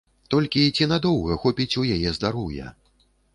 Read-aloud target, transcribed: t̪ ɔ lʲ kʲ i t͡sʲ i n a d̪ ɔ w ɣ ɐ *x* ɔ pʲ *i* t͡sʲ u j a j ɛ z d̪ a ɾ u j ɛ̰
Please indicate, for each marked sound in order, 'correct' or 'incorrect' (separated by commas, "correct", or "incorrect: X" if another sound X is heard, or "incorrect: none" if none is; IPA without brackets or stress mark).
correct, correct